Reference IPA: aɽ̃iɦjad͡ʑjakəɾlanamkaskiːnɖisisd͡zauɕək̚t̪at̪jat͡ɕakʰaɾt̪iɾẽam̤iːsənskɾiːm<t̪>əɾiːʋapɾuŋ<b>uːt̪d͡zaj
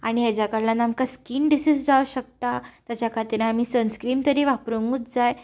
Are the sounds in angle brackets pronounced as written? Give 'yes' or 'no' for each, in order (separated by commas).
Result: yes, no